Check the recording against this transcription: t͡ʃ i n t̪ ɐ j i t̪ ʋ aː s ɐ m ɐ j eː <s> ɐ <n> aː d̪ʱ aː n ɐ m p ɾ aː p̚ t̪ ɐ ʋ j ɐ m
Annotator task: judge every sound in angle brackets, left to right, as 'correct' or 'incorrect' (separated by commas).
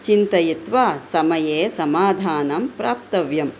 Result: correct, incorrect